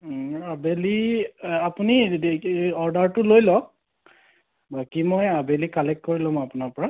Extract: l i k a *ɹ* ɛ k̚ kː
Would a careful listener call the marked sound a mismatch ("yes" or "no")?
yes